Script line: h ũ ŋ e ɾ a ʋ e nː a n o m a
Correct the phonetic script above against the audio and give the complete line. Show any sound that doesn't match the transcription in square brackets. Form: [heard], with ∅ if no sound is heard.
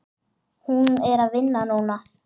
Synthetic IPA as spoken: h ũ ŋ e ɾ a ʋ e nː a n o [n] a